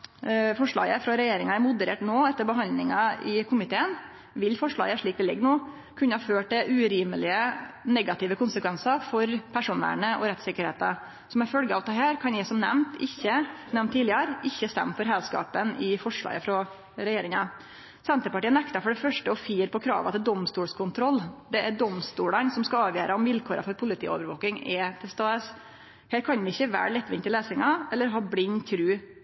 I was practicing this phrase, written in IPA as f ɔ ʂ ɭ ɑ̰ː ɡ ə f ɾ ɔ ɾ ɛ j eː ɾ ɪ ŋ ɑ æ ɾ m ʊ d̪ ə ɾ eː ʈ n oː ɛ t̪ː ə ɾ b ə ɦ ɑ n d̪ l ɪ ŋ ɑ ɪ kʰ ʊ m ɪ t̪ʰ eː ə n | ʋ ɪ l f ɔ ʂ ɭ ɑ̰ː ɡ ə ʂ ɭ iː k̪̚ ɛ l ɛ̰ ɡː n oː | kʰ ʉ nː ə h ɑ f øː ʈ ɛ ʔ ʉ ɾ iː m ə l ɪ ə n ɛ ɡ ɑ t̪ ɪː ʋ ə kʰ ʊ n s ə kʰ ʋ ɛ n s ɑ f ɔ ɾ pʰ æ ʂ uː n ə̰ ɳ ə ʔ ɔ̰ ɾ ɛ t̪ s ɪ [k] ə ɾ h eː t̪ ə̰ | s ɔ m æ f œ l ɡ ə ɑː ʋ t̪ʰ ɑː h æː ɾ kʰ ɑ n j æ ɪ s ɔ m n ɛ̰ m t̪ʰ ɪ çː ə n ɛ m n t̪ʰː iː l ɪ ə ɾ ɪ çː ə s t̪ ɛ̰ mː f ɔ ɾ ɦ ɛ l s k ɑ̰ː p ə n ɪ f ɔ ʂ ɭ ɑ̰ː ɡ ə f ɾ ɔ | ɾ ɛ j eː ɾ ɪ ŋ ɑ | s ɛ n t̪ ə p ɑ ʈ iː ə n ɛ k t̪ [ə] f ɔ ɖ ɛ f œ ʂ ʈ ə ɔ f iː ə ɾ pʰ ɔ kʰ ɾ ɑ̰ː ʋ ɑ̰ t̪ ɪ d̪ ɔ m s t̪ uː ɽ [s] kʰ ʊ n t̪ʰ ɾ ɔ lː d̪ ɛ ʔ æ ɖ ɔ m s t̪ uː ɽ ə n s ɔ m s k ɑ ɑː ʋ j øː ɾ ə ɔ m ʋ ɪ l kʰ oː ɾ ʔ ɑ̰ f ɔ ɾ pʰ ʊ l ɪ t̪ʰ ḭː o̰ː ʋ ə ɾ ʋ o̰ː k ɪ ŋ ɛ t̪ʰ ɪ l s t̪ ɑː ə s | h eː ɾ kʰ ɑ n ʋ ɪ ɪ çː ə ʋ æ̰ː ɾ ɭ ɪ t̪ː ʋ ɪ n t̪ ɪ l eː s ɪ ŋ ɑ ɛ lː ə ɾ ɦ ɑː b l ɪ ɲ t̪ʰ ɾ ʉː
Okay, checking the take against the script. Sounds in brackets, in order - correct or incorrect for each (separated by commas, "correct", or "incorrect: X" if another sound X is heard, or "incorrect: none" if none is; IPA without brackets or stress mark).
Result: correct, incorrect: ɑ, correct